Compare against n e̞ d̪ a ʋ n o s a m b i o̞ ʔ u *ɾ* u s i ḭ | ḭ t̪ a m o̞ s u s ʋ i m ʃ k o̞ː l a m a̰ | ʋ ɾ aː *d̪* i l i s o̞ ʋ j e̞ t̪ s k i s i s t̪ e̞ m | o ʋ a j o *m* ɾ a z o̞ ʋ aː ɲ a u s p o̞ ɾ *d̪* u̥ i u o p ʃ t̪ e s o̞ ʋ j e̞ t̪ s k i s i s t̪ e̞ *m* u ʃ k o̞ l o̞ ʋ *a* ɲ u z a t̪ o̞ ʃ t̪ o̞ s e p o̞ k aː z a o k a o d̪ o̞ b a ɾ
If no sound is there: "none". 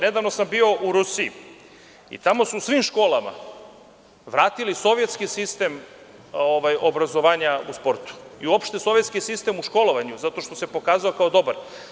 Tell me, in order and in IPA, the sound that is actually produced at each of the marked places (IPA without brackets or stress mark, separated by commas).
ɾ, t̪, b, t̪, m, a